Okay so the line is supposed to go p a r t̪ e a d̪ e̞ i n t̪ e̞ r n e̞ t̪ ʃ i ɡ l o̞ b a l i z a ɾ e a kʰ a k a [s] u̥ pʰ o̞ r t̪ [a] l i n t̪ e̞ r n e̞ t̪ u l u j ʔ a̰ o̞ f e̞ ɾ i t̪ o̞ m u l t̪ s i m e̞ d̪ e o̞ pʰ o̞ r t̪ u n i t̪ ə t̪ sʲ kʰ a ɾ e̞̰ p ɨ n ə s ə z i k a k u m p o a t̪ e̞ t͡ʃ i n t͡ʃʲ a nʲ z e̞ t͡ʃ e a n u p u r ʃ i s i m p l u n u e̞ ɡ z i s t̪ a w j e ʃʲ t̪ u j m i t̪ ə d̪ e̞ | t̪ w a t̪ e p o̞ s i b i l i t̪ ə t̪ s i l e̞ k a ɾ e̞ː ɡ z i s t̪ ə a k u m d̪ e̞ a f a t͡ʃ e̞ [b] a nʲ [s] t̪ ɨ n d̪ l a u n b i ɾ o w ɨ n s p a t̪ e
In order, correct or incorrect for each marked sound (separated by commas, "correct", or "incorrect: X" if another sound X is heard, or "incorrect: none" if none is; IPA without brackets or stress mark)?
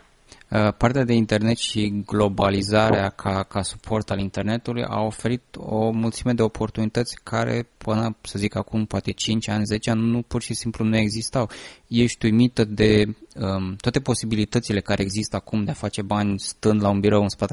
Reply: correct, correct, correct, correct